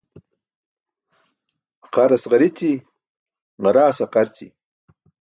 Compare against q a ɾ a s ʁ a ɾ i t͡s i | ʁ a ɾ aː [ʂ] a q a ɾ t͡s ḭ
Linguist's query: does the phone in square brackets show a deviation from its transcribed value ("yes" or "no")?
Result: yes